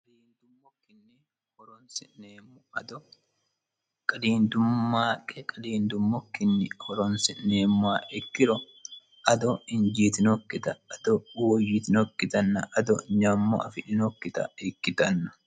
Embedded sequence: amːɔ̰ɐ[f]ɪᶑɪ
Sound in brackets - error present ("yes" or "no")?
no